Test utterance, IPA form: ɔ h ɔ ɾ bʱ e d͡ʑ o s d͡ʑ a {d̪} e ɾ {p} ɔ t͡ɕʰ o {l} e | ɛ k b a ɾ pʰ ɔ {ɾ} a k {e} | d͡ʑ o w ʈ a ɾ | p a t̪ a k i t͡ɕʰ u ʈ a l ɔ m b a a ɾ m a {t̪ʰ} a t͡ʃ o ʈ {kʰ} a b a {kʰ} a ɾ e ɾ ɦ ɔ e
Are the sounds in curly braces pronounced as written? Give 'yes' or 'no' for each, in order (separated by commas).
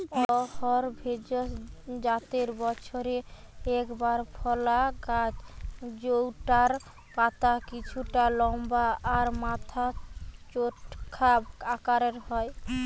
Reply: no, no, no, no, no, yes, yes, no